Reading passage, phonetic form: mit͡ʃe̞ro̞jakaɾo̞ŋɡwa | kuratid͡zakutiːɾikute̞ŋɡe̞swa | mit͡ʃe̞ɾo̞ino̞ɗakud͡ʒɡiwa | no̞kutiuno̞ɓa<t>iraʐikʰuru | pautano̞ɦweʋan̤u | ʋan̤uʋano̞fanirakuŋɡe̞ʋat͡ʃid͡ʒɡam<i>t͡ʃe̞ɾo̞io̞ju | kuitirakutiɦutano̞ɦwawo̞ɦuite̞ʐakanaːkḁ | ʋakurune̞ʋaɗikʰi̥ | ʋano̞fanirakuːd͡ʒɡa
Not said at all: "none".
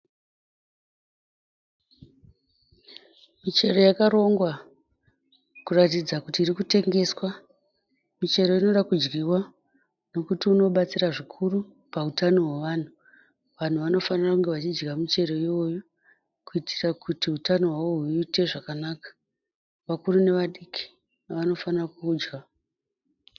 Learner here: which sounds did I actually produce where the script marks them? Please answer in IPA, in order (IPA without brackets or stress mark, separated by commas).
t͡s, i